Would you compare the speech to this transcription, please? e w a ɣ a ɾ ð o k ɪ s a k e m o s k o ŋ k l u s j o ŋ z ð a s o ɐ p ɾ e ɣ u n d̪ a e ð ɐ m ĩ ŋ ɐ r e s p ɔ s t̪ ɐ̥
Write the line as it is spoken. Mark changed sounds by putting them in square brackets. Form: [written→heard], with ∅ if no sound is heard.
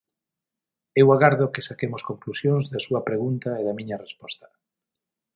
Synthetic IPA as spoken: e w a ɣ a ɾ ð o k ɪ s a k e m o s k o ŋ k l u s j o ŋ z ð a s [o→u] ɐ p ɾ e ɣ u n [d̪→t̪] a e ð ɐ m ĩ [ŋ→ɲ] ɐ r e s p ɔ s t̪ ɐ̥